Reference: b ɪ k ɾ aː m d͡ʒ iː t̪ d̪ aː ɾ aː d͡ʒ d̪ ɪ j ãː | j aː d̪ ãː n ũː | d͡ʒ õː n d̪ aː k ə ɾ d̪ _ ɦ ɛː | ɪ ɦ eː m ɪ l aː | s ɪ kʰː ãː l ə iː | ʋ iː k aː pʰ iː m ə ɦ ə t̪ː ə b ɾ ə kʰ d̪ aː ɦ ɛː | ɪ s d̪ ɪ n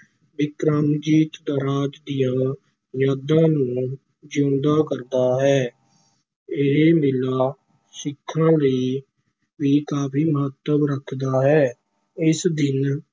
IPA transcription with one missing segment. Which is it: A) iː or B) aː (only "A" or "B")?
B